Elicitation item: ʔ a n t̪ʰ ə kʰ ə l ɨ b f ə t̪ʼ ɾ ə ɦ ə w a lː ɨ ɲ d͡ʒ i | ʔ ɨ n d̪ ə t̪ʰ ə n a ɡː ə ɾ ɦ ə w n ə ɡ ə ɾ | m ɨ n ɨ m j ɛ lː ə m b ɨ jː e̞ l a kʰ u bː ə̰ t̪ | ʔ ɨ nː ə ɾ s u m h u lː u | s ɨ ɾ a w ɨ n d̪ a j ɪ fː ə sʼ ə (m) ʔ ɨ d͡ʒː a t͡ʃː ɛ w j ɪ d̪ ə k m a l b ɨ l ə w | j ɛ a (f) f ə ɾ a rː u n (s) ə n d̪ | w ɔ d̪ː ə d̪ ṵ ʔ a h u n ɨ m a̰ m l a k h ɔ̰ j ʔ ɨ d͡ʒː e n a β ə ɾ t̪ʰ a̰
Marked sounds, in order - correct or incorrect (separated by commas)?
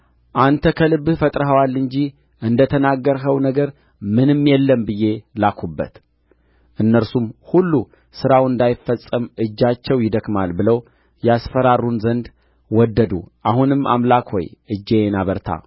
correct, incorrect, incorrect